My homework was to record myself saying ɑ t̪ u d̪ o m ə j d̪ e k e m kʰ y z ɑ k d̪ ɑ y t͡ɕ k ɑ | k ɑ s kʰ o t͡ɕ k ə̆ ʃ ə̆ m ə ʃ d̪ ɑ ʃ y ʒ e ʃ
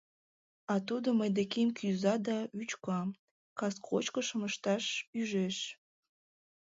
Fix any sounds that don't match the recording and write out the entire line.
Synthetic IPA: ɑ t̪ u d̪ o m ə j d̪ e k e m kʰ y z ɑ d̪ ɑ y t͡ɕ k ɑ | k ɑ s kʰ o t͡ɕ k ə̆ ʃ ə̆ m ə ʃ t̪ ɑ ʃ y ʒ e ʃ